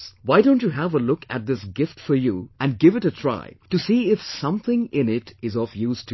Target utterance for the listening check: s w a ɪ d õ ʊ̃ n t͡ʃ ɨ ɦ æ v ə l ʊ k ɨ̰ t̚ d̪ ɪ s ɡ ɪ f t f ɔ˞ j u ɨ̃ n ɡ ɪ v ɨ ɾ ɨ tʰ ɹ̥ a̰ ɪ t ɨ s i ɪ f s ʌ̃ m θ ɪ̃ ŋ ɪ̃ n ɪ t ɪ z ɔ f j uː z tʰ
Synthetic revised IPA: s w a ɪ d õ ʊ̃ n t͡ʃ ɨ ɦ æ v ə l ʊ k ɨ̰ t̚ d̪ ɪ s ɡ ɪ f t f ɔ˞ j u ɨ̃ n ɡ ɪ v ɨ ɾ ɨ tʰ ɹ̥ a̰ ɪ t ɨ s i ɪ f s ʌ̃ m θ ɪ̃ ŋ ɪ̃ n ɪ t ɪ z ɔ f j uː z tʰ